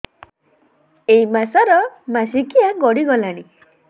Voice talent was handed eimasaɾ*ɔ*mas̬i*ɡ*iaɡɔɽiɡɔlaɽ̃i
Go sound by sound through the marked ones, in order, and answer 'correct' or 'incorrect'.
correct, incorrect

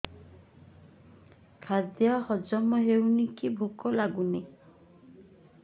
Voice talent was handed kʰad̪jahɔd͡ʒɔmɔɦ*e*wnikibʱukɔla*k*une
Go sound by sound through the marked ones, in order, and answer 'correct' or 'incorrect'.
correct, incorrect

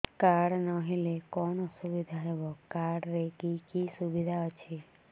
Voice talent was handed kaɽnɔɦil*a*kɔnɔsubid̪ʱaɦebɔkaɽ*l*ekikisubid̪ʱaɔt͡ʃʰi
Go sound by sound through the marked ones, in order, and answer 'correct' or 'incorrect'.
incorrect, incorrect

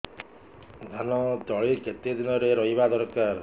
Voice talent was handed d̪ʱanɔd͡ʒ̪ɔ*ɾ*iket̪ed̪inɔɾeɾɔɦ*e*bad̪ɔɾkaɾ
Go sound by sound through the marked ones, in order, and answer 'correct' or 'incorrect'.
incorrect, incorrect

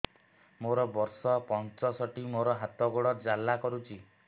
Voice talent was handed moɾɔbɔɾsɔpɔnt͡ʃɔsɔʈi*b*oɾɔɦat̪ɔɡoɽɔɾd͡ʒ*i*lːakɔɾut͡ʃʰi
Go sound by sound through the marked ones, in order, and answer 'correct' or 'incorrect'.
incorrect, incorrect

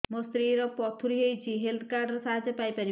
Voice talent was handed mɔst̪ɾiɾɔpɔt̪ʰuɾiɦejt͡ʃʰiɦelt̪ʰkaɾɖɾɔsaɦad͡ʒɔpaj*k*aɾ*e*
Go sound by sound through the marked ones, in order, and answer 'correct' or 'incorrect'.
incorrect, incorrect

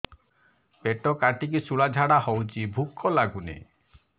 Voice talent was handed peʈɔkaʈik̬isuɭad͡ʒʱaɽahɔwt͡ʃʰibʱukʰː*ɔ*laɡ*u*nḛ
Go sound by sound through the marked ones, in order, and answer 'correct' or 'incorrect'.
correct, correct

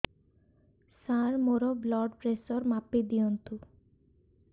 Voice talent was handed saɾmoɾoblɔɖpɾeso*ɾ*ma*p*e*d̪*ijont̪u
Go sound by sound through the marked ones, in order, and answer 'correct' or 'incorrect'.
correct, correct, correct

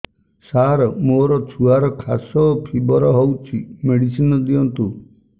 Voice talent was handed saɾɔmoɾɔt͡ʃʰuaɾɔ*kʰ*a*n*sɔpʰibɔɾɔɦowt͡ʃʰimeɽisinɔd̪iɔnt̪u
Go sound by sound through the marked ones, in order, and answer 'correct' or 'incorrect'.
correct, incorrect

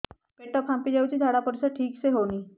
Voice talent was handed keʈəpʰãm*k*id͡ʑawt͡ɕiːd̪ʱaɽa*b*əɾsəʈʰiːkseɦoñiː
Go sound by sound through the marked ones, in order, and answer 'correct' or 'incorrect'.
incorrect, incorrect

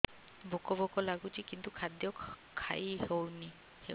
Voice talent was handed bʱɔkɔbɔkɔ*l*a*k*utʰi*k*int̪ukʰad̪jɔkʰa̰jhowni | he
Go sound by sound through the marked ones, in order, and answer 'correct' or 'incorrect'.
correct, incorrect, correct

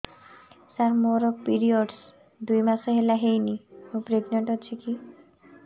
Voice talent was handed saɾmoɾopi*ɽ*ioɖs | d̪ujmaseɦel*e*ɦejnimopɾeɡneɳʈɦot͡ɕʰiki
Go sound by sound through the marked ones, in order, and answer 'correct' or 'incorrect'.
incorrect, incorrect

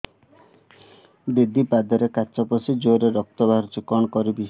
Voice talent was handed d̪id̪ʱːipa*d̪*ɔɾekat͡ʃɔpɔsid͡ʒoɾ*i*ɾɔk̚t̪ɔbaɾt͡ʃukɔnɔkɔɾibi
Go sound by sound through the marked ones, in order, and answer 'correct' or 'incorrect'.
correct, incorrect

